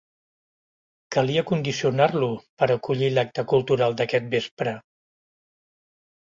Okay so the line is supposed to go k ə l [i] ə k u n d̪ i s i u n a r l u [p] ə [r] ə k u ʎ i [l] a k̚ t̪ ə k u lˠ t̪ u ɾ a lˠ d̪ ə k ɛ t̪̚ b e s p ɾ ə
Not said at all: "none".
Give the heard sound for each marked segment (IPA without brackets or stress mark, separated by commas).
i, p, ɾ, l